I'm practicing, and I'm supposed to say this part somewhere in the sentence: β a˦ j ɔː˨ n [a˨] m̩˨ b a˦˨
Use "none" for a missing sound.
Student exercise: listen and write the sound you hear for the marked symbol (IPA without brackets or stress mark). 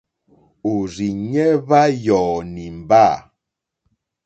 i˨